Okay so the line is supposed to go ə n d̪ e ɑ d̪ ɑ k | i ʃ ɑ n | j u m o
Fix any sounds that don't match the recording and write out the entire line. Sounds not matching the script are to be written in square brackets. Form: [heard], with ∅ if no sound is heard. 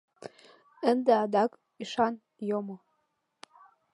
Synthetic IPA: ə n d̪ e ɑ d̪ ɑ k | i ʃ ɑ n | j [o] m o